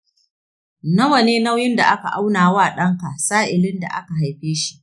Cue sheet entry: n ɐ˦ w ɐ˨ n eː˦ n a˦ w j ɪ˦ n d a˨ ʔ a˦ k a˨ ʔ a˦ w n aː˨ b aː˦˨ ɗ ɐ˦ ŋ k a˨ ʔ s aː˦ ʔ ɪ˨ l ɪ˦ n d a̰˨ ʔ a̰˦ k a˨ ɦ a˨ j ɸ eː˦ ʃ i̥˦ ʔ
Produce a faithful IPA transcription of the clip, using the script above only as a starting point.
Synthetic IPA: n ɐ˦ w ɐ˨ n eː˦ n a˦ w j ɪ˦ n d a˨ ʔ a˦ k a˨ ʔ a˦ w n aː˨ w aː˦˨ ɗ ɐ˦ ŋ k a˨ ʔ s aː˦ ʔ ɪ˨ l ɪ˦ n d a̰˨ ʔ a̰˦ k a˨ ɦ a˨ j ɸ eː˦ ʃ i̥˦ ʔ